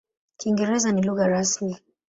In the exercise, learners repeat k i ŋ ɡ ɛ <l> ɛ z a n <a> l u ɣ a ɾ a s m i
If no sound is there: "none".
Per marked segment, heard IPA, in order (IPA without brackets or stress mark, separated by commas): ɾ, i